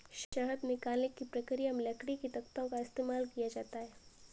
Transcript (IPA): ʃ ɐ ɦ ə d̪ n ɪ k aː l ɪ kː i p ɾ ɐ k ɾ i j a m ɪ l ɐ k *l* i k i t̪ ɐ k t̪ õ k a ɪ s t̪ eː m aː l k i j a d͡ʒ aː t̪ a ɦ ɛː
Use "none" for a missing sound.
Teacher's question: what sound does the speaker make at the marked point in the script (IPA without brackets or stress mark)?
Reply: ɽ